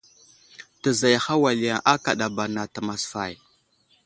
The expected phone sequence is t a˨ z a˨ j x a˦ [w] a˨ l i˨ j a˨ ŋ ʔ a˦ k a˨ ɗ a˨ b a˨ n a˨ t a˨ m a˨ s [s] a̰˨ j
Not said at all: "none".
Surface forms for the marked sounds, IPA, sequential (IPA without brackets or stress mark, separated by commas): w, f